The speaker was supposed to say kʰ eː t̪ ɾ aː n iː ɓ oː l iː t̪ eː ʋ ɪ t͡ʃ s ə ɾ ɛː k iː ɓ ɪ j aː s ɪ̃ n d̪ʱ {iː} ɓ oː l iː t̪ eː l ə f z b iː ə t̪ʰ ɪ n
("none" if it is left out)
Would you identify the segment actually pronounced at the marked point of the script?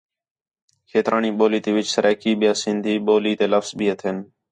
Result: iː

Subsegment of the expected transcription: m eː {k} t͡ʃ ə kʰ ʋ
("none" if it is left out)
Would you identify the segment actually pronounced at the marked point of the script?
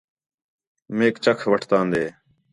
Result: k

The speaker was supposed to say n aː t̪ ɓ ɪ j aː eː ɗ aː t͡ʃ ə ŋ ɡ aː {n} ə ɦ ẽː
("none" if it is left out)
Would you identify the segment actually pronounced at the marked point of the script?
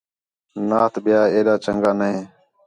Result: n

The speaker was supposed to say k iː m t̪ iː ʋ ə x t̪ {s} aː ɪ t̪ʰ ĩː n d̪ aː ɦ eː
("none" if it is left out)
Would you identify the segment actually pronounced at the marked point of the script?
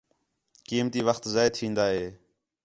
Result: z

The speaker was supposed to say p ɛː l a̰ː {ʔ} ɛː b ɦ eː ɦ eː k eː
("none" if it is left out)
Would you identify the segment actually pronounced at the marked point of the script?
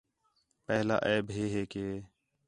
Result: ʔ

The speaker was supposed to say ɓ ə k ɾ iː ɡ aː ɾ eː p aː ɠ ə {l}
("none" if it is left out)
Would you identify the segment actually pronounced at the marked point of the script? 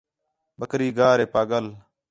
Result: l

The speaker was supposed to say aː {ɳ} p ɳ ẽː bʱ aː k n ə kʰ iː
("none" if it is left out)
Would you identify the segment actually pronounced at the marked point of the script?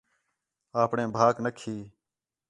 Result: none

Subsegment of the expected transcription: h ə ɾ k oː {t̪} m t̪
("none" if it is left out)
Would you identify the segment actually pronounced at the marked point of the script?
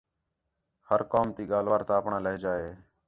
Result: none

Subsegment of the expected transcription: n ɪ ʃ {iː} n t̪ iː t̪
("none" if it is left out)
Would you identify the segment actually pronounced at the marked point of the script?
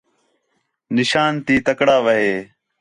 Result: aː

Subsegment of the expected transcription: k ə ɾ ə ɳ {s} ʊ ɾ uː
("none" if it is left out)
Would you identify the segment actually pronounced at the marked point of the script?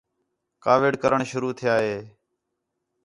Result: ʃ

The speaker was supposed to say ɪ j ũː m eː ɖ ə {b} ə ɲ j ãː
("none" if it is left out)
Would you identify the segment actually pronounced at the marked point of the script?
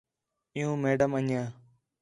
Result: m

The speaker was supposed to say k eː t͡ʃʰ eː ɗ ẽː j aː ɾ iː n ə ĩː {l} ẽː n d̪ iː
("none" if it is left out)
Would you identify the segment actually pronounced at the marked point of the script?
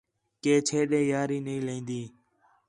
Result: l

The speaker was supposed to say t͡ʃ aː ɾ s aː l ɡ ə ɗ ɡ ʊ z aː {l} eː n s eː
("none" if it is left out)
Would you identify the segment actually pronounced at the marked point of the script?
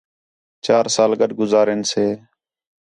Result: ɾ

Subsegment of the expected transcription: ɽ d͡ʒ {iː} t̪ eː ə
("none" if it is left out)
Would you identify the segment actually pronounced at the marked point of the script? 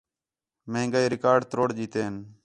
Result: iː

